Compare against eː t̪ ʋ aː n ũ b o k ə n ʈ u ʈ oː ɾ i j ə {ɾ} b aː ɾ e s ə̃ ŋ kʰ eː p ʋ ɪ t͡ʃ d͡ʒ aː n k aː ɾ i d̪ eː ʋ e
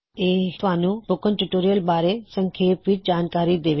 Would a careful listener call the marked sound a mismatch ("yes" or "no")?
yes